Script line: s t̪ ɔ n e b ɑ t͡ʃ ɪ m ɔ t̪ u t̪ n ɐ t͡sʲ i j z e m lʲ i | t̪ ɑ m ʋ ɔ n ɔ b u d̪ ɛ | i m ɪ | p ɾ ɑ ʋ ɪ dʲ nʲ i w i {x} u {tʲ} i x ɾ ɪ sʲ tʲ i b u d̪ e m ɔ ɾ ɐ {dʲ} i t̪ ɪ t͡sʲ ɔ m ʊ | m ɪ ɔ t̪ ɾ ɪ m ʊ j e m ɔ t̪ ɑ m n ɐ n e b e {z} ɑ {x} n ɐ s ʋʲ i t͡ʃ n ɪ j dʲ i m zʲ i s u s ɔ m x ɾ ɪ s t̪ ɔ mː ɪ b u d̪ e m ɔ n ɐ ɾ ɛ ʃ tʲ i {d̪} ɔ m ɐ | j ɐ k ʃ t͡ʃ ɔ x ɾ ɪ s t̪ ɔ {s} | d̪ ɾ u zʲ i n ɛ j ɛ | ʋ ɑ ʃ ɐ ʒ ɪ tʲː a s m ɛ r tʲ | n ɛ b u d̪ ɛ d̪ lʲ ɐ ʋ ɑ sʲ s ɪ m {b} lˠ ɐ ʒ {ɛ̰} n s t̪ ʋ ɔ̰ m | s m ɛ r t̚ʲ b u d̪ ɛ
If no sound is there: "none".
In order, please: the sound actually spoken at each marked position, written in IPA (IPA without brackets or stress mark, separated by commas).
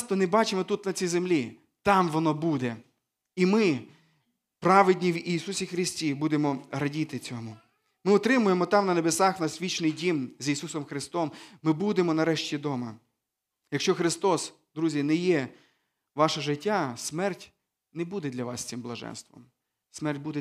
s, sʲ, dʲ, s, x, d̪, s, b, ɛ̰